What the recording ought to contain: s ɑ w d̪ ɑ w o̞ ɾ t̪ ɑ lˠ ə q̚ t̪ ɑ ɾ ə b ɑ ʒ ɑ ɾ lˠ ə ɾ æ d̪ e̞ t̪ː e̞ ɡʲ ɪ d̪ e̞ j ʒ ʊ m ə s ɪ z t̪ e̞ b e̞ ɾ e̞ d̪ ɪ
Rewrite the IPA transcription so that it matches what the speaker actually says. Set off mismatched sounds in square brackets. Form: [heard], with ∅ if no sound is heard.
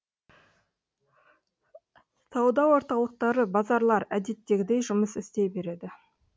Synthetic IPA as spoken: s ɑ w d̪ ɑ w o̞ ɾ t̪ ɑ lˠ ə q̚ t̪ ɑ ɾ ə b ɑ [z] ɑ ɾ lˠ [ɑ] ɾ æ d̪ e̞ t̪ː e̞ ɡʲ ɪ d̪ e̞ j ʒ ʊ m ə s ɪ [s] t̪ e̞ b e̞ ɾ e̞ d̪ ɪ

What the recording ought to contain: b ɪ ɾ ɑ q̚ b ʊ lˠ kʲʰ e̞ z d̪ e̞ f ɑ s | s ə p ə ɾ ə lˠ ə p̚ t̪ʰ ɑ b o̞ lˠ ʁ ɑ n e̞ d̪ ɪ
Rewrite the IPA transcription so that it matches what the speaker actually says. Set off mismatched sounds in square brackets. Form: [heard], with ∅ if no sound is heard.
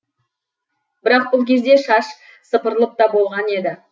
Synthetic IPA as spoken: b ɪ ɾ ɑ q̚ b ʊ lˠ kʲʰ e̞ z d̪ e̞ [ʃ] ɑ [ʃ] | s ə p ə ɾ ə lˠ ə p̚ [t̪] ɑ b o̞ lˠ ʁ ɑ n e̞ d̪ ɪ

